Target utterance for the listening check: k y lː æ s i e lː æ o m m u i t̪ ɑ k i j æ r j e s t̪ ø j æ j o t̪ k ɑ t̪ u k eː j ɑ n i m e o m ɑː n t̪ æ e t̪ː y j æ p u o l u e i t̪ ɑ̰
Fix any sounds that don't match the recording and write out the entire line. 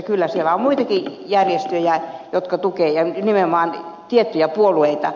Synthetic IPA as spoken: k y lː æ s i e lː æ o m m u i t̪ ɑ k i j æ r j e s t̪ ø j æ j o t̪ k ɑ t̪ u k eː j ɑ n i m e o m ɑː n t̪ i e t̪ː y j æ p u o l u e i t̪ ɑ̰